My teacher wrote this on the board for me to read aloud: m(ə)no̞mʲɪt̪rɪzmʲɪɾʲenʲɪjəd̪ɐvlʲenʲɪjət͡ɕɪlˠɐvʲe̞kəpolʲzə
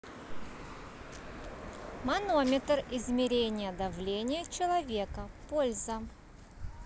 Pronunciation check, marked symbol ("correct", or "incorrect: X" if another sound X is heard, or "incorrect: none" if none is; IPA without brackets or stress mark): incorrect: ɐ